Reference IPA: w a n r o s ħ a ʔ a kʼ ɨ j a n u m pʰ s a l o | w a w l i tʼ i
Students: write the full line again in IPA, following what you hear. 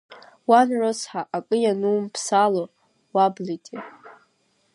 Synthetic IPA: w a n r o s ħ a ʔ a kʼ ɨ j a n u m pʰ s a l o | w a b l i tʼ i